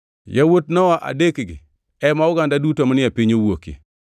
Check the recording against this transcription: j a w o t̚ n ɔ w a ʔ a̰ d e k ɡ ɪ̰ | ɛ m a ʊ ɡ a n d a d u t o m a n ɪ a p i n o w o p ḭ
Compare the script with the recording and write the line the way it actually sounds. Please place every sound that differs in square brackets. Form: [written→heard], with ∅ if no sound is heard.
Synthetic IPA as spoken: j a w o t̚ n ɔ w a ʔ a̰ d e k ɡ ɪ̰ | ɛ m a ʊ ɡ a n d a d u t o m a n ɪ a p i [n→ɲ] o w o [p→k] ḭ